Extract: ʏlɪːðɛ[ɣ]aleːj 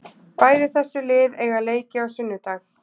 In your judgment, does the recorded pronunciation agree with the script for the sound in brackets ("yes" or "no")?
yes